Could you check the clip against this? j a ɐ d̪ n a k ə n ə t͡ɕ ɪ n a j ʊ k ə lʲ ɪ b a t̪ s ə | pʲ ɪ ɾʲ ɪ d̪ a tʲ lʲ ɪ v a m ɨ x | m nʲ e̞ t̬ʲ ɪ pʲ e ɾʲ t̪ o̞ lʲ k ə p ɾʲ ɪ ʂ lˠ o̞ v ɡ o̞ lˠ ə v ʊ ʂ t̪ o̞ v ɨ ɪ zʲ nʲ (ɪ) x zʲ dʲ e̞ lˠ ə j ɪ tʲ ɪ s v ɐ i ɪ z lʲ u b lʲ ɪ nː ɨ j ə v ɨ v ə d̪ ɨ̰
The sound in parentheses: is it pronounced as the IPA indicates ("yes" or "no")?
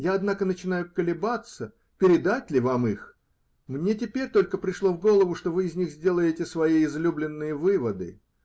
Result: no